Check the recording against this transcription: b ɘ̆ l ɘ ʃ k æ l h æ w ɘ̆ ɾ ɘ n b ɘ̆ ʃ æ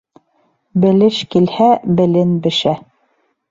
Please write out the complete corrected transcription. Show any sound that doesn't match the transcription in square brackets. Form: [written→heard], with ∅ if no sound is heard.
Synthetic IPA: b ɘ̆ l ɘ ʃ k [æ→i] l h æ [w→b] ɘ̆ [ɾ→l] ɘ n b ɘ̆ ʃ æ